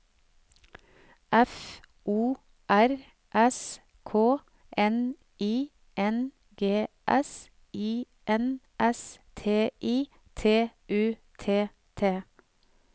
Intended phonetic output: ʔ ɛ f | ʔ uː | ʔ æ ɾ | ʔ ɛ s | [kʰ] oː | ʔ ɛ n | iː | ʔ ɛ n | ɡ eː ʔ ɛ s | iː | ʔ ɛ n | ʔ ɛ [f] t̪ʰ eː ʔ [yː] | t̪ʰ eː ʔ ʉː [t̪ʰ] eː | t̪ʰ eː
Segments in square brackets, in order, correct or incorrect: correct, incorrect: s, incorrect: iː, correct

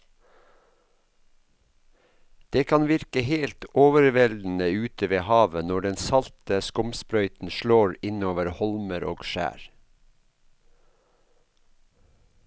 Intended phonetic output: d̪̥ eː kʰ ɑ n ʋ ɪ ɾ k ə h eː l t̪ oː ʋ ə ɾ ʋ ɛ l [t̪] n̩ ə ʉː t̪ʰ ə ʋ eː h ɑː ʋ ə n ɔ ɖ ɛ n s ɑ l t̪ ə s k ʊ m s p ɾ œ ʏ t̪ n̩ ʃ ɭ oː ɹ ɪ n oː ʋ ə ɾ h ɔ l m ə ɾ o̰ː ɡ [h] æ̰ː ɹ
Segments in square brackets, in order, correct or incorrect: incorrect: d̪, incorrect: ʃ

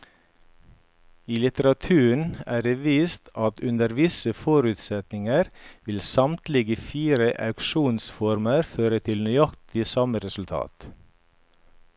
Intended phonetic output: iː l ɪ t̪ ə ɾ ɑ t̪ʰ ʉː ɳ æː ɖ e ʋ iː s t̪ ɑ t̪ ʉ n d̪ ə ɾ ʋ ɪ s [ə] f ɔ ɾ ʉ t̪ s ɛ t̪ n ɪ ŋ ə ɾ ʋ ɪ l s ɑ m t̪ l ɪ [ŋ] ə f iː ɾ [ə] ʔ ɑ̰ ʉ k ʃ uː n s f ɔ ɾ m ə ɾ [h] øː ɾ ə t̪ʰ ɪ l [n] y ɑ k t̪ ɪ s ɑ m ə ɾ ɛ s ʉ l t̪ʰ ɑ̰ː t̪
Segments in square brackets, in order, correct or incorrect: correct, incorrect: ɡ, correct, incorrect: f, correct

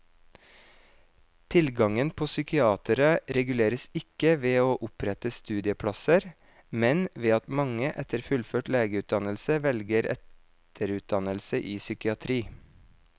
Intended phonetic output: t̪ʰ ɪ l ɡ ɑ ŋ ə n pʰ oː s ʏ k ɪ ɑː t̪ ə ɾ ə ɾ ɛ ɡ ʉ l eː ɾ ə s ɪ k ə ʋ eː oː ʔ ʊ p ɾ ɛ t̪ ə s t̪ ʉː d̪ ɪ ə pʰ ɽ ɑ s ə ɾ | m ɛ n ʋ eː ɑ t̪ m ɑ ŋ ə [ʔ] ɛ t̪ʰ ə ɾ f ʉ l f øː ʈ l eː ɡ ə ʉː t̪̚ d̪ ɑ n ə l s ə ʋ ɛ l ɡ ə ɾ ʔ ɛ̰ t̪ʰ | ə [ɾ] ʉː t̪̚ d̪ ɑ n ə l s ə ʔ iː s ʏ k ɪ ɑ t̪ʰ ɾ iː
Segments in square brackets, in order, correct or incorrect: correct, correct

